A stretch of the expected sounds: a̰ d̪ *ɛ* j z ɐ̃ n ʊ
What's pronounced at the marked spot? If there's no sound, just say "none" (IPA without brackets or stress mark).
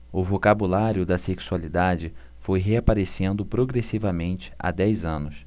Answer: ɛ